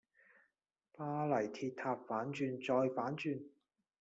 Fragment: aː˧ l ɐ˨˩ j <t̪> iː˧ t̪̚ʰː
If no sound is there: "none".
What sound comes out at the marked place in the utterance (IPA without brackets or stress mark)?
t̪ʰ